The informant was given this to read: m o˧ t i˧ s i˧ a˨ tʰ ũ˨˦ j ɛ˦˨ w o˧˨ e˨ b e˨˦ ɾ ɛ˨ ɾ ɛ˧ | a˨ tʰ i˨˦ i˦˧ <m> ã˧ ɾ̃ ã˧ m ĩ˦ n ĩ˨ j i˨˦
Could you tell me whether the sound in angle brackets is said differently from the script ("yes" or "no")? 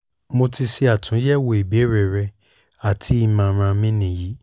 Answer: no